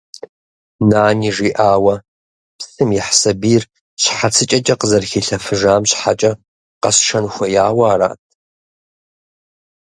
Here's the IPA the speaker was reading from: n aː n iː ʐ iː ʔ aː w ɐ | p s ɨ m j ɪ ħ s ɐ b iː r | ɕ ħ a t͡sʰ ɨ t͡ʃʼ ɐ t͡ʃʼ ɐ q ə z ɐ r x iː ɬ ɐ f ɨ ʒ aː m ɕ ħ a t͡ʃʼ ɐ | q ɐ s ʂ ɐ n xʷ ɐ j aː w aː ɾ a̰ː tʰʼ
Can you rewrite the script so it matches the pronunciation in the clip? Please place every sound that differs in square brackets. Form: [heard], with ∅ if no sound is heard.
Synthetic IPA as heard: n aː n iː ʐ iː ʔ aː w ɐ | p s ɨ m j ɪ ħ s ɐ b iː r | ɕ ħ a t͡sʰ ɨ t͡ʃʼ ɐ t͡ʃʼ ɐ q ə z ɐ r x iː ɬ ɐ f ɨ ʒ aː m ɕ ħ a t͡ʃʼ ɐ | q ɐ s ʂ ɐ n xʷ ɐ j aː w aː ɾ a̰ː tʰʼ